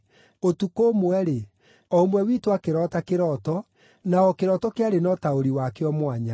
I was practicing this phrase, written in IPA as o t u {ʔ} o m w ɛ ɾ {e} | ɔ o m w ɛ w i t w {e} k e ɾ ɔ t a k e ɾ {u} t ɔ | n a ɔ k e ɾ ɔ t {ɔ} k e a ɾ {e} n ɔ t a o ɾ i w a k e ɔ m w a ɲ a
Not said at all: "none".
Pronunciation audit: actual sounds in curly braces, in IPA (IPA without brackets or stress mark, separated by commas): k, e, a, ɔ, ɔ, e